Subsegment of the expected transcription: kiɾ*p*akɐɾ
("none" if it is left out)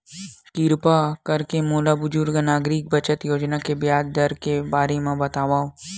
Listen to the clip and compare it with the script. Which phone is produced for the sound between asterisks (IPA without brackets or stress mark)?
p